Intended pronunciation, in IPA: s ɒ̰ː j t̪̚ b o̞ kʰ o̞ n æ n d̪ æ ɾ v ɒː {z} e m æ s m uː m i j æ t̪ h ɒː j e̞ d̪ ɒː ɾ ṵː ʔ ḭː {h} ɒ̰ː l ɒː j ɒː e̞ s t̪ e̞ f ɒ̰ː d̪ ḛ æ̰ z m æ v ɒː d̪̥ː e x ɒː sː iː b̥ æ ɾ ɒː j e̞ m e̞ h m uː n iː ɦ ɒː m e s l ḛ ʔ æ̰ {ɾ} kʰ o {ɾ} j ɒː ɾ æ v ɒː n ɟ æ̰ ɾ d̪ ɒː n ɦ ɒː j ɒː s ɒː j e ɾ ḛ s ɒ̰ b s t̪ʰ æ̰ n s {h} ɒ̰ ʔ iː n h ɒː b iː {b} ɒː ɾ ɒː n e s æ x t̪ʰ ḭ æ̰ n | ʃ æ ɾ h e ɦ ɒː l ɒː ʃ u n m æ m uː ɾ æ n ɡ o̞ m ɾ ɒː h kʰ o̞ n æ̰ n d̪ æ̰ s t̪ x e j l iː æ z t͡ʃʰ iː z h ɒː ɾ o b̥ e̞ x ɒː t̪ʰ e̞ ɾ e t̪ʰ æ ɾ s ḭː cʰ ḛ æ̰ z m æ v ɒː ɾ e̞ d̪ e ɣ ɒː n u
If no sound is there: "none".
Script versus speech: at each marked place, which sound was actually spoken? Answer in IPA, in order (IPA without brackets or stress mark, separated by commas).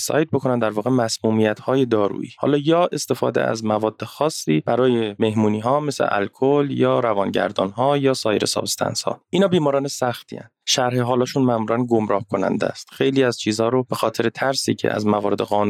ɣ, h, l, l, h, m